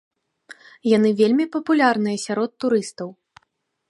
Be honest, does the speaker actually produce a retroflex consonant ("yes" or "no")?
no